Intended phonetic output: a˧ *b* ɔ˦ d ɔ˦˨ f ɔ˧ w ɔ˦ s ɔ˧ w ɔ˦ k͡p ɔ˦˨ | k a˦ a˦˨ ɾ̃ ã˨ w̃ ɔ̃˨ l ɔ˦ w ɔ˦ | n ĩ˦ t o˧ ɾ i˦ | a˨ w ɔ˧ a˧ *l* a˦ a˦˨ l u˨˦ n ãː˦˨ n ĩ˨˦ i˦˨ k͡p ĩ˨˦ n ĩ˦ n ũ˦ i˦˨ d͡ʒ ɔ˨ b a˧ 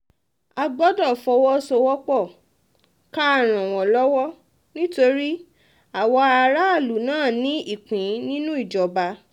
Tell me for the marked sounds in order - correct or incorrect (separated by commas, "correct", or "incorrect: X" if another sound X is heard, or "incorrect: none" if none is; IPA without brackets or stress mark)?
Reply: incorrect: ɡ͡b, incorrect: ɾ